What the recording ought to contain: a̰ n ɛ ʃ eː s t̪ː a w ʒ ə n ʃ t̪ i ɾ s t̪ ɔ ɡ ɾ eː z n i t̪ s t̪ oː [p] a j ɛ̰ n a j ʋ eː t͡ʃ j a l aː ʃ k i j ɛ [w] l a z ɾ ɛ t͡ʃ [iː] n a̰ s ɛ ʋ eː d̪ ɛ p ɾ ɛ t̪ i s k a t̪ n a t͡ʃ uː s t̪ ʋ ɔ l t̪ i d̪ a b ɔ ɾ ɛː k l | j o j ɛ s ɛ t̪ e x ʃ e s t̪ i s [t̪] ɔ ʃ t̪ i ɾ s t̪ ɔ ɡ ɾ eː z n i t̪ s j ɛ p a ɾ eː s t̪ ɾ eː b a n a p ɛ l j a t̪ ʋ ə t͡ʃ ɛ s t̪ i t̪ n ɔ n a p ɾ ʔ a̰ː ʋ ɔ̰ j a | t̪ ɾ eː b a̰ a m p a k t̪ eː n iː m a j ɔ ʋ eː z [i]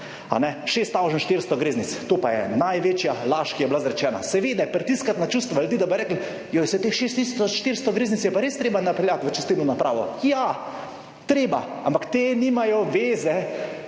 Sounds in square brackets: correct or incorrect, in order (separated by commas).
correct, incorrect, incorrect, correct, incorrect